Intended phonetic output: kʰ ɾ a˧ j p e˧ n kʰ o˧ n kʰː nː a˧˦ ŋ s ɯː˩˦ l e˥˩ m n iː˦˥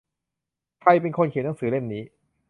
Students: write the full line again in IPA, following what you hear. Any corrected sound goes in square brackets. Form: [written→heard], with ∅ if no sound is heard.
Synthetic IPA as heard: kʰ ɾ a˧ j p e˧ n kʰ o˧ n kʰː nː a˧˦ ŋ s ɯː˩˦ l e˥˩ m n iː˦˥